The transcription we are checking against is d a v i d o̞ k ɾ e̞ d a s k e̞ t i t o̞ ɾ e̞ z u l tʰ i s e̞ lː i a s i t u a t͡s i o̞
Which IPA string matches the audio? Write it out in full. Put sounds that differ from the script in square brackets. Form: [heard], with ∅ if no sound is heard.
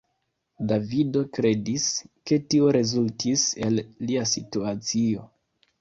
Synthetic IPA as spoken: d a v i d o̞ k ɾ e̞ d [i] s k e̞ t i [∅] o̞ ɾ e̞ z u l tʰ i s e̞ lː i a s i t u a t͡s i o̞